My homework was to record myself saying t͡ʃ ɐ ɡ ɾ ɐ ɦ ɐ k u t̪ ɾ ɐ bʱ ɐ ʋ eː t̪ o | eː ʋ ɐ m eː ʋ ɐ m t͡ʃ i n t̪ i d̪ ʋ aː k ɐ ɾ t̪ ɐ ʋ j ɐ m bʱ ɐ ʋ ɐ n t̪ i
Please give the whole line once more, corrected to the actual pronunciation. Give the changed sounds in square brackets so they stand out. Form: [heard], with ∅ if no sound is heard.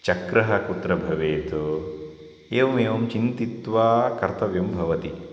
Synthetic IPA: t͡ʃ ɐ [k] ɾ ɐ ɦ ɐ k u t̪ ɾ ɐ bʱ ɐ ʋ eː t̪ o | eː ʋ ɐ m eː ʋ ɐ m t͡ʃ i n t̪ i [t̪] ʋ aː k ɐ ɾ t̪ ɐ ʋ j ɐ m bʱ ɐ ʋ ɐ [∅] t̪ i